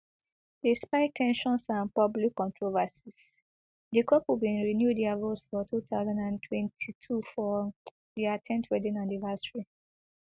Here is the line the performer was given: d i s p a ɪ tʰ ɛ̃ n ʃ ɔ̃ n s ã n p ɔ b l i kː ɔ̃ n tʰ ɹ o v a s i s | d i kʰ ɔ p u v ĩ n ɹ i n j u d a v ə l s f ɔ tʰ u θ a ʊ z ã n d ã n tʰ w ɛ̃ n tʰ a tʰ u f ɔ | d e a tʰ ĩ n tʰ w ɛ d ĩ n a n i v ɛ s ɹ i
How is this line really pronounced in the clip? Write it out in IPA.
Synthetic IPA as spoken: d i s p a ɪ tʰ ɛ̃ n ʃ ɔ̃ n s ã n p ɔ b l i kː ɔ̃ n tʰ ɹ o v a s i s | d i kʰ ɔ p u b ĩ n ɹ i n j u d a v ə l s f ɔ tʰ u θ a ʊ z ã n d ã n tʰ w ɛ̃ n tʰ i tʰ u f ɔ | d i a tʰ ɛ̃ n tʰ w ɛ d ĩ n a n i v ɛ s ɹ i